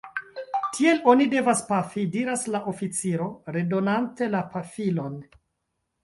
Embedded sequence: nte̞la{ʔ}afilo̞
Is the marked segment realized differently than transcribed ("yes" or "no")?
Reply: yes